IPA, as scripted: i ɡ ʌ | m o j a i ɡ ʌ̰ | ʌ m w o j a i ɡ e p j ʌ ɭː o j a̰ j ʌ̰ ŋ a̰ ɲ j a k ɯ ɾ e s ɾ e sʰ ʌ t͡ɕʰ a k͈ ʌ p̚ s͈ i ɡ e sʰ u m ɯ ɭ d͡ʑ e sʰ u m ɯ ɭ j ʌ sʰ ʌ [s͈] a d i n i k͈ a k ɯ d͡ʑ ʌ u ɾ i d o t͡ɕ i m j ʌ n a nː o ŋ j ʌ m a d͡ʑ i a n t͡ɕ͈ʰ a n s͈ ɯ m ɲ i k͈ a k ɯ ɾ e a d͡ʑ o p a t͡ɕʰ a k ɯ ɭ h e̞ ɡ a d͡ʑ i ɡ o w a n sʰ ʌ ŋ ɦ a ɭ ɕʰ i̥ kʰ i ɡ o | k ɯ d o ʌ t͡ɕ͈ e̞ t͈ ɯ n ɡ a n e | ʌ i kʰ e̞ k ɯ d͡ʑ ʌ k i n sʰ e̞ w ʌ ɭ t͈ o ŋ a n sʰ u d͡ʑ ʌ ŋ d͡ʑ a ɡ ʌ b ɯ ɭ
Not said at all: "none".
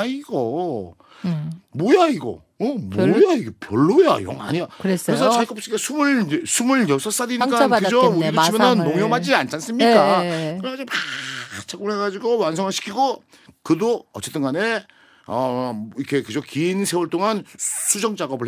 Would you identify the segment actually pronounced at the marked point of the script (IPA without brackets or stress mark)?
s͈